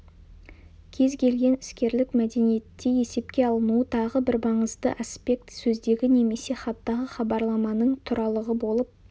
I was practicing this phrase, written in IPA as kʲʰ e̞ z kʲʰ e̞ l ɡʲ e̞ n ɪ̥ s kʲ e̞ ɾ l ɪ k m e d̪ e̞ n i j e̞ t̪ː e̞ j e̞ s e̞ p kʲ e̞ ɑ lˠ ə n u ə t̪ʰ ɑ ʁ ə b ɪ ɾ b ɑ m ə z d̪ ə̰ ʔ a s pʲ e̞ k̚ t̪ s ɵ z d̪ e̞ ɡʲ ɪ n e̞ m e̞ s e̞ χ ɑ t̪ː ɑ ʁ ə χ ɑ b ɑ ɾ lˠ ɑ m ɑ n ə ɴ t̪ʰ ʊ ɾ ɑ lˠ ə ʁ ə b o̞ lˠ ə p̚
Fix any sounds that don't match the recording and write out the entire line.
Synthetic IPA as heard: kʲʰ e̞ z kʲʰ e̞ l ɡʲ e̞ n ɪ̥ s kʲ e̞ ɾ l ɪ k m æ d̪ e̞ n i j e̞ t̪ː e̞ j e̞ s e̞ p kʲ e̞ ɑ lˠ ə n u ə t̪ʰ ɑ ʁ ə b ɪ ɾ b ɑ ɴ ə z d̪ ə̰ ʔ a s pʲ e̞ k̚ t̪ s ɵ z d̪ e̞ ɡʲ ɪ n e̞ m e̞ s e̞ χ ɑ t̪ː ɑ ʁ ə χ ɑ b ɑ ɾ lˠ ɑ m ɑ n ə ɴ t̪ʰ ʊ ɾ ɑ lˠ ə ʁ ə b o̞ lˠ ə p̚